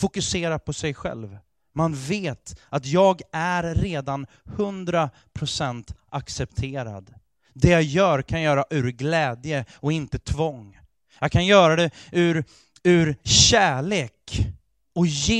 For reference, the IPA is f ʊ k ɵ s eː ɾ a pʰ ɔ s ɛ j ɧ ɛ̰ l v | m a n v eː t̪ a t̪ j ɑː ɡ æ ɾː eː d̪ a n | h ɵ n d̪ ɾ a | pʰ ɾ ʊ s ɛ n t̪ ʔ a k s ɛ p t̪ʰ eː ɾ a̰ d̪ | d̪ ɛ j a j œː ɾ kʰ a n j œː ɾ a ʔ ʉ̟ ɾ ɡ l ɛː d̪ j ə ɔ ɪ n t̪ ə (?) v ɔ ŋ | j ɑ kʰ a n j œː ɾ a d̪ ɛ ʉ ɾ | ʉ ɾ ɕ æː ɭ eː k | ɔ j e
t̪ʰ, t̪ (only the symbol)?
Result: t̪ʰ